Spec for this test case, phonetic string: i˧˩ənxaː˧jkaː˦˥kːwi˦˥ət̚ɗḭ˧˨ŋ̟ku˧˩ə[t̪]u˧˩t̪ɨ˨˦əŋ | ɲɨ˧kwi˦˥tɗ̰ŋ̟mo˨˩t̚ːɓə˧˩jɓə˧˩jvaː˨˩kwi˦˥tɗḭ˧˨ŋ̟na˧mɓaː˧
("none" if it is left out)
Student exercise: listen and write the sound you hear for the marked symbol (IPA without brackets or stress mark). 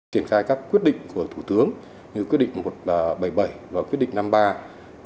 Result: t̪ʰ